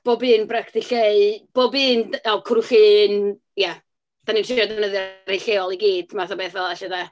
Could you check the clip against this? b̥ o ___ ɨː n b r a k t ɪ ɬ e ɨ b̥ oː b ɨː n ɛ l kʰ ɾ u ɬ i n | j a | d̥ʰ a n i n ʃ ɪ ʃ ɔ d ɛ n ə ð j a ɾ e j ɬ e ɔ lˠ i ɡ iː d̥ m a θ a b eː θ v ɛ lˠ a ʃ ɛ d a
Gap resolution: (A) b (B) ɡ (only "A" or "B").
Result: A